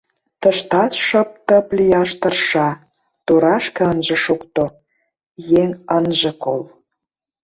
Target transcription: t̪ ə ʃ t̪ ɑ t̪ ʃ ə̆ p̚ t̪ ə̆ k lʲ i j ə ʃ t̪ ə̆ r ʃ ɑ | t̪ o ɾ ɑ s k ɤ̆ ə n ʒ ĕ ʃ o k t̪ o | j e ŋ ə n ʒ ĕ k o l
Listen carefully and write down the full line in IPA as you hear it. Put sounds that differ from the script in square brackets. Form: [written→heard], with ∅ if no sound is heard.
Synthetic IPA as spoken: t̪ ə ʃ t̪ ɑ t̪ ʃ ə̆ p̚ t̪ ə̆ [k→p] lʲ i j [ə→ɑ] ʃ t̪ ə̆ r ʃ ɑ | t̪ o ɾ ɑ [s→ʃ] k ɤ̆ ə n ʒ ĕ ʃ o k t̪ o | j e ŋ ə n ʒ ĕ k o l